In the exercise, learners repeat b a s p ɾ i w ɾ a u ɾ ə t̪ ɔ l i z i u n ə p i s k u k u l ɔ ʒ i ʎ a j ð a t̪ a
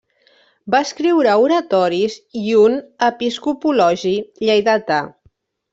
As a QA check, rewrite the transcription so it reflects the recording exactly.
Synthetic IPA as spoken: b a s k ɾ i w ɾ a u ɾ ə t̪ ɔ ɾ i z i u n ə p i s k u p u l ɔ ʒ i ʎ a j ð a t̪ a